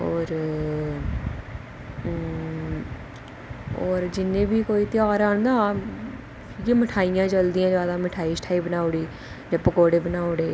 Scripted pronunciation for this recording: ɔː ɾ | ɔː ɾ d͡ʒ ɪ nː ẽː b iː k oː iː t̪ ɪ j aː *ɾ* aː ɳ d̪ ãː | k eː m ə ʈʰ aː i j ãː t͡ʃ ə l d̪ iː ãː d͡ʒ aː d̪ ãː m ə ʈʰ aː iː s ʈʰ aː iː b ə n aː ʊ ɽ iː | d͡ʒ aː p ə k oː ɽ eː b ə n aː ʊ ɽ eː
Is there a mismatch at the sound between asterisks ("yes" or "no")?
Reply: no